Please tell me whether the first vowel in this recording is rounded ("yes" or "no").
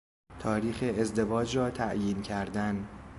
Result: yes